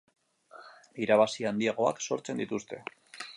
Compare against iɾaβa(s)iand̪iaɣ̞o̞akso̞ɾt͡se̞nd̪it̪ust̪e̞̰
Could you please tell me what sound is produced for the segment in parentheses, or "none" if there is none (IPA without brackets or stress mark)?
s